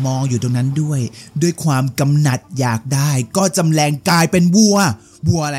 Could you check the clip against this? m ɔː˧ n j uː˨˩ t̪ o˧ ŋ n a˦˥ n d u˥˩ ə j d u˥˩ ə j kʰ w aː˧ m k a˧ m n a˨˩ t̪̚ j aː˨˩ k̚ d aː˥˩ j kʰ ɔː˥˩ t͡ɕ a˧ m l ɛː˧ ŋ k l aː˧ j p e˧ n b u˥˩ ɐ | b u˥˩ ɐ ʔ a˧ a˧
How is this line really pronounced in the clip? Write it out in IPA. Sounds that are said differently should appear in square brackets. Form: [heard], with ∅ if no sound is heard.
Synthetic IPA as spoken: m ɔː˧ [ŋ] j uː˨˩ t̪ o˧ ŋ n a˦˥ n d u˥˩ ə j d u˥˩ ə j kʰ w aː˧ m k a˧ m n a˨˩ t̪̚ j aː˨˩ k̚ d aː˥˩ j [k] ɔː˥˩ t͡ɕ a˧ m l ɛː˧ ŋ k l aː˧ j p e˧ n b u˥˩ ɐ | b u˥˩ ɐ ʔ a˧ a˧